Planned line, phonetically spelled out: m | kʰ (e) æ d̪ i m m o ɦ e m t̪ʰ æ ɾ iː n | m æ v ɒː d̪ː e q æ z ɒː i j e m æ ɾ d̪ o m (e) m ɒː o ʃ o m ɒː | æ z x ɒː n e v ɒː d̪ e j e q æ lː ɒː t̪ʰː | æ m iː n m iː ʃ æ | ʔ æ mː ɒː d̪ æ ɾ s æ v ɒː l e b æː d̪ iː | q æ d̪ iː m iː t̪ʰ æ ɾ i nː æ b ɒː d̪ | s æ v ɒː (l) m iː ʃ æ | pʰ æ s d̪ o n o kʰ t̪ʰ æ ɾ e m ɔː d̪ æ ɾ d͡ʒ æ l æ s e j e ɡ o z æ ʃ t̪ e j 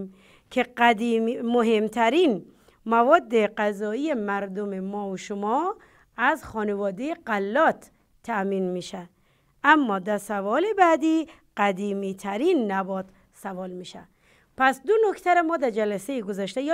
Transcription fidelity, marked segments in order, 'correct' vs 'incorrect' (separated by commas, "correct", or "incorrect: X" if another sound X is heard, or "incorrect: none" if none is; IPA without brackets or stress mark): correct, correct, correct